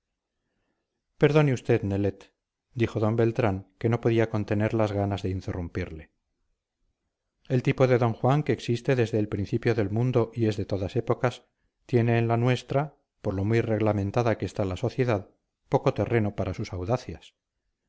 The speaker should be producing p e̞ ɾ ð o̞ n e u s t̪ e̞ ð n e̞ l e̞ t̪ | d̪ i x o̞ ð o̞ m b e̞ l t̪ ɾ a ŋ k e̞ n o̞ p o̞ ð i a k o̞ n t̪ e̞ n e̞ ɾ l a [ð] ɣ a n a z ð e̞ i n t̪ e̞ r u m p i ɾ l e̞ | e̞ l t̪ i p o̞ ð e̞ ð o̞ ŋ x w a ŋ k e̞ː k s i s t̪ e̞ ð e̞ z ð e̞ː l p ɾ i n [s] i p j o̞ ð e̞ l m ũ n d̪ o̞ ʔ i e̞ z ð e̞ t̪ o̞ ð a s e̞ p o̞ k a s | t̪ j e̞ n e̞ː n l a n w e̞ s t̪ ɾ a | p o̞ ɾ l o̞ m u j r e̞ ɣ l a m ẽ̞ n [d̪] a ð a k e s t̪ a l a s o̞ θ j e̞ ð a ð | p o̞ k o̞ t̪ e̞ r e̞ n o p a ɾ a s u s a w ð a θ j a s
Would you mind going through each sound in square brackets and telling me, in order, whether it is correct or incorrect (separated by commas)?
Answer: incorrect, incorrect, incorrect